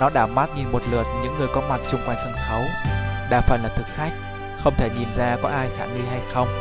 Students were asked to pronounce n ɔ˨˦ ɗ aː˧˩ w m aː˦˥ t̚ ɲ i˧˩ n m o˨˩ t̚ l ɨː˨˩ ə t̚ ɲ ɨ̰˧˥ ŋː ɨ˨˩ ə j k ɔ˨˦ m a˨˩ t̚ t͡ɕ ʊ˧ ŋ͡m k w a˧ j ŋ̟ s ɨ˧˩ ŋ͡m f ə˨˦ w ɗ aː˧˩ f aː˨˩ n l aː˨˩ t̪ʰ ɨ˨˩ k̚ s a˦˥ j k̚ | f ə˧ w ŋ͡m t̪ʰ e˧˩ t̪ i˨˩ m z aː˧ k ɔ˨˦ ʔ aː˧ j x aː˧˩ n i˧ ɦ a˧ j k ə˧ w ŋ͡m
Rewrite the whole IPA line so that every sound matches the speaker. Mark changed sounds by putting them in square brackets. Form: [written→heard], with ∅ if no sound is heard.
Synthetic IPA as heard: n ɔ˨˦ ɗ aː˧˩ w m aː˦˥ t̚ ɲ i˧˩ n m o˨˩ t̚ l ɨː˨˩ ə t̚ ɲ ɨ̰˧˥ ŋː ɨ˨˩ ə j k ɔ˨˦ m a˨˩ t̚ t͡ɕ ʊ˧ ŋ͡m k w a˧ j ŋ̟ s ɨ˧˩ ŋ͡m [f→x] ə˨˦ w ɗ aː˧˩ f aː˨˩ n l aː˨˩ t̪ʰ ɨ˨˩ k̚ [s→x] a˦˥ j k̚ | [f→x] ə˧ w ŋ͡m t̪ʰ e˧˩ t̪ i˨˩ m z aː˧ k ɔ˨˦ ʔ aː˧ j x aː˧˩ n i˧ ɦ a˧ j [k→x] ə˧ w ŋ͡m